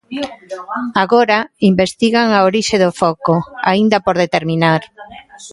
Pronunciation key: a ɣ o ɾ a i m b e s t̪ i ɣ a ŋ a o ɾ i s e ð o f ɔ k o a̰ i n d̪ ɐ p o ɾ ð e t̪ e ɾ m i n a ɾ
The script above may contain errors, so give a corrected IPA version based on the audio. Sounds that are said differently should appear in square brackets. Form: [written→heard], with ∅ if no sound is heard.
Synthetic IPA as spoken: a ɣ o ɾ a i m b e s t̪ i ɣ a ŋ a o ɾ i [s→ʃ] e ð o f ɔ k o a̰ i n d̪ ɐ p o ɾ ð e t̪ e ɾ m i n a ɾ